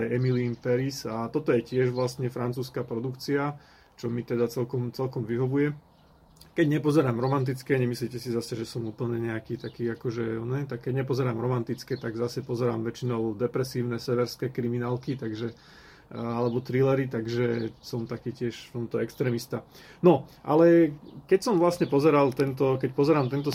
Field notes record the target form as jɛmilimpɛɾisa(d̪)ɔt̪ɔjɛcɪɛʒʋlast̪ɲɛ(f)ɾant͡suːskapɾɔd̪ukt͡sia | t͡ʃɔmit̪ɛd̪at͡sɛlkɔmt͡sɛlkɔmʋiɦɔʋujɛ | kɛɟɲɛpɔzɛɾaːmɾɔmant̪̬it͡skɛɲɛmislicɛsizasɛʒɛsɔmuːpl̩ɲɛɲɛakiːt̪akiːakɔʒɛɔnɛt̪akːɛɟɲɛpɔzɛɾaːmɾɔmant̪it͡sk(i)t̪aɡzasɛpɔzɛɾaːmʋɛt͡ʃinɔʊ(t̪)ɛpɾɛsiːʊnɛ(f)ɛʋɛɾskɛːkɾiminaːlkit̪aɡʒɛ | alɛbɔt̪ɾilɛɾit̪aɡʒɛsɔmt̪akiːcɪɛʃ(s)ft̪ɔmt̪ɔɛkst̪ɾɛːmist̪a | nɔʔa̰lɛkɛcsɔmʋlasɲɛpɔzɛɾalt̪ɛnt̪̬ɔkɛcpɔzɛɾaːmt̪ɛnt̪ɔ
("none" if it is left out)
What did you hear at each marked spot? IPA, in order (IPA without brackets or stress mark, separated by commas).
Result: t̪, f, ɛ, d̪, s, f